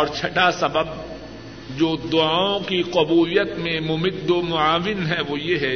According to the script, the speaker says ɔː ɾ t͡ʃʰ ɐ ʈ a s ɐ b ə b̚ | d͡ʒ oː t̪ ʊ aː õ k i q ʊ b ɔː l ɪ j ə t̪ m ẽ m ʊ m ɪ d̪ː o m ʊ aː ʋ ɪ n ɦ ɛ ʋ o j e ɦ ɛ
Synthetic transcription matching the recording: ɔː ɾ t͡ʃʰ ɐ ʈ a s ɐ b ə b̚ | d͡ʒ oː d̪ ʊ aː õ k i q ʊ b uː l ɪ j ə t̪ m ẽ m ʊ m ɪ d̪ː o m ʊ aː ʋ ɪ n ɦ ɛ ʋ o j e ɦ ɛ